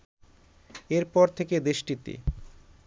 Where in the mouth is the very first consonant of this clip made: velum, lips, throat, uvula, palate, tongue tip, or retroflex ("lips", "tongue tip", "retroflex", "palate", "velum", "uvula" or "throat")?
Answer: tongue tip